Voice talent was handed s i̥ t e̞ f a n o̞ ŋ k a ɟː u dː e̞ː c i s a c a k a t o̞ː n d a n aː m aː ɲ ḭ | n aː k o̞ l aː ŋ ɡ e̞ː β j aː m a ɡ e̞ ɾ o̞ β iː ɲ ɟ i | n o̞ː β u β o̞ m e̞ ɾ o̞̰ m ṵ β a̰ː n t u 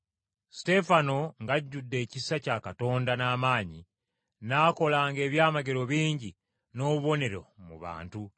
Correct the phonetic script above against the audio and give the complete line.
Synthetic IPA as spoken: s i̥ t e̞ f a n o̞ ŋ ɡ a ɟː u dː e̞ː c i s a c a k a t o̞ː n d a n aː m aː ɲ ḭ | n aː k o̞ l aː ŋ ɡ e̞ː β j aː m a ɡ e̞ ɾ o̞ β iː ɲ ɟ i | n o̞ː β u β o̞ n e̞ ɾ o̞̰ m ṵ β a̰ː n t u

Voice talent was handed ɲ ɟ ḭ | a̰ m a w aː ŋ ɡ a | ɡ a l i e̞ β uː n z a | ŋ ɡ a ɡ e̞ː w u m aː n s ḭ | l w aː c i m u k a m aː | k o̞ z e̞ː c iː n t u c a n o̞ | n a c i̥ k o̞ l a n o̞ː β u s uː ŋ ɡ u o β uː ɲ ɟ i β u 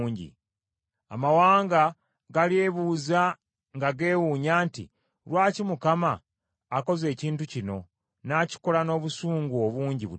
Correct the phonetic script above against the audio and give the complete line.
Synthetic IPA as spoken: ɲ ɟ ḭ | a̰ m a w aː ŋ ɡ a | ɡ a l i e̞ β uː z a | ŋ ɡ a ɡ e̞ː w u ɲ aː n t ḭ | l w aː c i m u k a m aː | k o̞ z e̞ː c iː n t u c i n o̞ | n a c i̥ k o̞ l a n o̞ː β u s uː ŋ ɡ u o β uː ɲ ɟ i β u

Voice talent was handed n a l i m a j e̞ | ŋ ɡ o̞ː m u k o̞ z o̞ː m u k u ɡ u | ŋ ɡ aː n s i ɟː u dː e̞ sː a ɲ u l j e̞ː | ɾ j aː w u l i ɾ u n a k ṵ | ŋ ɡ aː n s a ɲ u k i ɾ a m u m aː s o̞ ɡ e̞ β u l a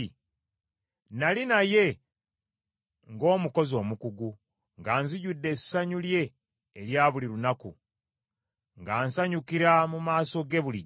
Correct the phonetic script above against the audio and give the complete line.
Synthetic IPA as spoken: n a l i n a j e̞ | ŋ ɡ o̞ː m u k o̞ z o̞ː m u k u ɡ u | ŋ ɡ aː n z i ɟ u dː e̞ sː a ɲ u l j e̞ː | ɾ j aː β u l i ɾ u n a k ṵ | ŋ ɡ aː n s a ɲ u k i ɾ a m u m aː s o̞ ɡ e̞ β u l i

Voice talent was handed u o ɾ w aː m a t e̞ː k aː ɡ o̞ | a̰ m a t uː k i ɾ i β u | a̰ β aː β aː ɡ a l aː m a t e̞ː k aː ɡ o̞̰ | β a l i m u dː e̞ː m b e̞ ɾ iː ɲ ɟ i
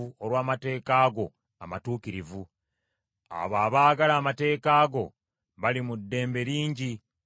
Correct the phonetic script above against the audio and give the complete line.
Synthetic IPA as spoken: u o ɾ w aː m a t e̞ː k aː ɡ o̞ | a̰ m a t uː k i ɾ i v u | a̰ β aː β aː ɡ a l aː m a t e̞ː k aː ɡ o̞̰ | β a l i m u dː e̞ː m b e̞ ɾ iː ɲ ɟ i

